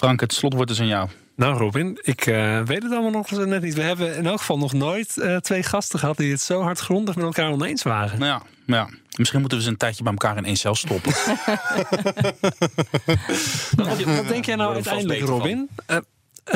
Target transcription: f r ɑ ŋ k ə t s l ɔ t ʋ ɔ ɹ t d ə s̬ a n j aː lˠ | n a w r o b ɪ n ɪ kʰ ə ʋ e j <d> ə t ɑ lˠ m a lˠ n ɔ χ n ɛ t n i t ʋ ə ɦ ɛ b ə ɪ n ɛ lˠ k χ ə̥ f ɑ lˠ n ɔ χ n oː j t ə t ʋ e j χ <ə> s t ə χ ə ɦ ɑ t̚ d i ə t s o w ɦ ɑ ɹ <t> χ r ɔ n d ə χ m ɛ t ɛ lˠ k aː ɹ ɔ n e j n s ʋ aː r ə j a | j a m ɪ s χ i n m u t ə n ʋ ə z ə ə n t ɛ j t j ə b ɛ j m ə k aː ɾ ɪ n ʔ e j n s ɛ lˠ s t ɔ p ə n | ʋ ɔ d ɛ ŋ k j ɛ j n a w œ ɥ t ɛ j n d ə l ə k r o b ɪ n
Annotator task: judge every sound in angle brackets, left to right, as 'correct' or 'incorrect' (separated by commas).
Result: incorrect, incorrect, correct